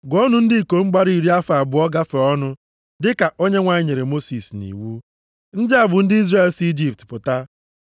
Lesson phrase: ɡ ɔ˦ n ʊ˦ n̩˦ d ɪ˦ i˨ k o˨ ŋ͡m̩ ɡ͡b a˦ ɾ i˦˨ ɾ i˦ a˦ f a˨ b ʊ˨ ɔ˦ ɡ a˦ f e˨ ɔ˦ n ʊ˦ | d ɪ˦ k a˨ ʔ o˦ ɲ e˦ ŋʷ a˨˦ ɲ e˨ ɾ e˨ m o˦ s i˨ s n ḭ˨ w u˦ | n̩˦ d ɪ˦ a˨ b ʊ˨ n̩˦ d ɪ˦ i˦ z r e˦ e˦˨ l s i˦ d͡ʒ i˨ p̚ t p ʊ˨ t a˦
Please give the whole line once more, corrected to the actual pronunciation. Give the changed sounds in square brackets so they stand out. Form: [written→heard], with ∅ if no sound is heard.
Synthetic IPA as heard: ɡ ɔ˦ n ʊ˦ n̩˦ d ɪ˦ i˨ k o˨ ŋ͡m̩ ɡ͡b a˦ ɾ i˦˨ ɾ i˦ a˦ f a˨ b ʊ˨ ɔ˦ ɡ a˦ f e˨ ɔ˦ n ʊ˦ | d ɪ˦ k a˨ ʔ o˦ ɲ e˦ ŋʷ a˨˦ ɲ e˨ ɾ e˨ m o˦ s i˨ s n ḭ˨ w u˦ | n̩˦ d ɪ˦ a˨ b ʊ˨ n̩˦ d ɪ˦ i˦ z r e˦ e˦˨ l s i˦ d͡ʒ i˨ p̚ t p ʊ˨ t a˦